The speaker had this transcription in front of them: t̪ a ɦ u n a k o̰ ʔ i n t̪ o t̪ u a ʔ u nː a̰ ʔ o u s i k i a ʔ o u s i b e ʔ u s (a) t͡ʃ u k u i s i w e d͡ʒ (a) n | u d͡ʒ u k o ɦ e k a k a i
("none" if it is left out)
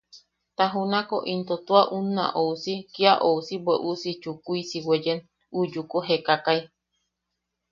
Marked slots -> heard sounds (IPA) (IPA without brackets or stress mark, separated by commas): i, e